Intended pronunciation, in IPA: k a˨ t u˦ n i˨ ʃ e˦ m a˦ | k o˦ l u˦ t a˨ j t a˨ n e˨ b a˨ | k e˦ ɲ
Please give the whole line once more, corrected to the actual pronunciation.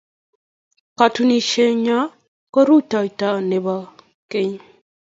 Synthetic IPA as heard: k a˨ t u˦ n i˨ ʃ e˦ ɲ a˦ | k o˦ ɾ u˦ t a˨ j t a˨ n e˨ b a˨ | k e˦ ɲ